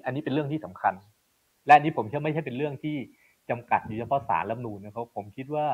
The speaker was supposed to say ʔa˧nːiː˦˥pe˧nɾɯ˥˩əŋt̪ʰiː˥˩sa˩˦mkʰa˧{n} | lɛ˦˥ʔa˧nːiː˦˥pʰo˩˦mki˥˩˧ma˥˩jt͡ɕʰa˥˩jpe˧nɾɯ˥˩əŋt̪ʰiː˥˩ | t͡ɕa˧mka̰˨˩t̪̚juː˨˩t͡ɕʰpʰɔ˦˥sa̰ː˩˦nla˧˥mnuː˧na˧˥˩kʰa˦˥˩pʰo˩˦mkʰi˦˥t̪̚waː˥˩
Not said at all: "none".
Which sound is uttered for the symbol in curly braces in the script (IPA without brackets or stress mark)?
n